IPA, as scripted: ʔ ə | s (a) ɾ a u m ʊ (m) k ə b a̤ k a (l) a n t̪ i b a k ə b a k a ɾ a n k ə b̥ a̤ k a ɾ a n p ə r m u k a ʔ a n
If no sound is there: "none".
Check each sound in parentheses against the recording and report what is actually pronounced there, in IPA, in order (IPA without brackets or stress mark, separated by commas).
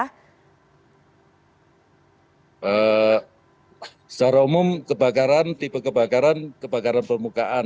a, m, ɾ